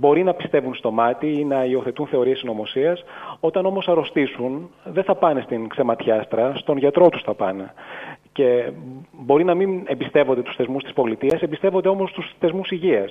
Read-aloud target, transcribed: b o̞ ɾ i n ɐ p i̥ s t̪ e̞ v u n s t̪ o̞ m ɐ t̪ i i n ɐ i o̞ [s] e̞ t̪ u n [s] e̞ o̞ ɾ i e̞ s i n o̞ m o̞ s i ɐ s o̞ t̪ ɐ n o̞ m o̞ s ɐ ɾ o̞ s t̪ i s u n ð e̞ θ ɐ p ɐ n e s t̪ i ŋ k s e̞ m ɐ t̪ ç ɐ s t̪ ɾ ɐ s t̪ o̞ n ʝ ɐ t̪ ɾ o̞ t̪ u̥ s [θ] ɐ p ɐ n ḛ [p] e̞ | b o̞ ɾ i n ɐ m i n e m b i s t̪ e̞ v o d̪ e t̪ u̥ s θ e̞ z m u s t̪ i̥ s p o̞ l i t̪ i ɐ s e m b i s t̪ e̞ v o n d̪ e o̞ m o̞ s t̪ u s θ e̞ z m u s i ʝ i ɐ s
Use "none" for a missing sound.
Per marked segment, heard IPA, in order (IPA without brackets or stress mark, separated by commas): θ, θ, θ, c